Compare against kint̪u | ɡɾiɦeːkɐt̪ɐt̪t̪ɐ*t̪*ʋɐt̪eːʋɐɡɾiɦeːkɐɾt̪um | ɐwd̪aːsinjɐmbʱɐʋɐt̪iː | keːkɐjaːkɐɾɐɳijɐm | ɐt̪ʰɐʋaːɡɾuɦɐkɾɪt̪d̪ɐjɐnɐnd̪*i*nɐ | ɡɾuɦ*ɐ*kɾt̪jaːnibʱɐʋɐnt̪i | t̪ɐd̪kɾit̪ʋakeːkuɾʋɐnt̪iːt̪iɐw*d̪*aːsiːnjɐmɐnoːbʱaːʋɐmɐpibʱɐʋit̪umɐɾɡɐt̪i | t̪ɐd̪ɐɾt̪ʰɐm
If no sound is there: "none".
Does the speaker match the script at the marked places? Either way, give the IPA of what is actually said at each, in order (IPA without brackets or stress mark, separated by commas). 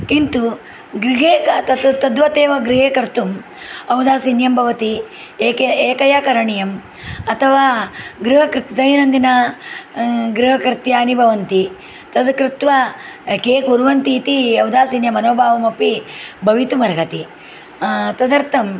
d̪, i, ɐ, d̪